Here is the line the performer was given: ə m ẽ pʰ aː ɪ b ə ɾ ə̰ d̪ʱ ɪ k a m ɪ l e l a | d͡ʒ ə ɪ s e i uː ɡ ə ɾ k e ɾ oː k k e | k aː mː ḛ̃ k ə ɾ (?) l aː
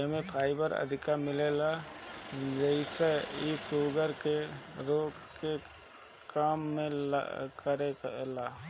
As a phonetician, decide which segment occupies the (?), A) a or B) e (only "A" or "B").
B